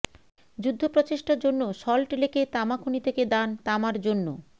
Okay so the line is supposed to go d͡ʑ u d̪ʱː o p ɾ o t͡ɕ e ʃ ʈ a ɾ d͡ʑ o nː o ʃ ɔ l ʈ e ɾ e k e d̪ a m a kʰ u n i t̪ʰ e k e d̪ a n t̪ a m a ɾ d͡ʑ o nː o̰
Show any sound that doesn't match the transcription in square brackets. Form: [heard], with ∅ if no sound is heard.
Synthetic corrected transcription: d͡ʑ u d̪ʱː o p ɾ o t͡ɕ e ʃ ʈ a ɾ d͡ʑ o nː o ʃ ɔ l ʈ e [l] e k e [t̪] a m a kʰ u n i t̪ʰ e k e d̪ a n t̪ a m a ɾ d͡ʑ o nː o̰